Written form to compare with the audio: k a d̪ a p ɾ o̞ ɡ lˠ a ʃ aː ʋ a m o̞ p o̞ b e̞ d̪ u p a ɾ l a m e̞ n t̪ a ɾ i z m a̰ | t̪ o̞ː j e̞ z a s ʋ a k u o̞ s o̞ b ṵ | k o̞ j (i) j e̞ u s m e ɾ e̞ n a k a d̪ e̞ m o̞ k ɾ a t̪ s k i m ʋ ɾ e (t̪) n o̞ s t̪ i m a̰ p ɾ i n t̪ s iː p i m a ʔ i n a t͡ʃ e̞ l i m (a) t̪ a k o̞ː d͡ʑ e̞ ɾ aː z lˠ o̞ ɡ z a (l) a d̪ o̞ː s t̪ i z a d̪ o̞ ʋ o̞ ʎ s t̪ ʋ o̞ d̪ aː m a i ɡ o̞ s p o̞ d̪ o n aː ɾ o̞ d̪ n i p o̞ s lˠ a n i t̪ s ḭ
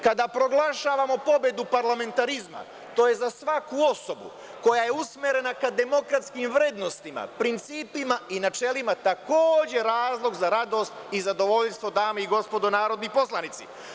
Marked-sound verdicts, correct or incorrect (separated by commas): incorrect, incorrect, correct, incorrect